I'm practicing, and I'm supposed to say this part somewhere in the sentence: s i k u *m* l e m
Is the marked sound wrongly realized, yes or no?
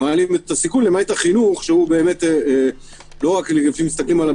yes